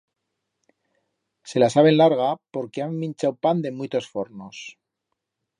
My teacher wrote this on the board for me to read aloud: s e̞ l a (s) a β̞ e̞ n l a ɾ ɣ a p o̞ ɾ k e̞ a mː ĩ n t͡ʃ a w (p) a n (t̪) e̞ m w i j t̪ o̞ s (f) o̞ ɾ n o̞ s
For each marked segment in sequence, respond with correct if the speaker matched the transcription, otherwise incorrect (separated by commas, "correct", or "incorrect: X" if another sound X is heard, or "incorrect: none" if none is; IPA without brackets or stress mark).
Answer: correct, correct, incorrect: d̪, correct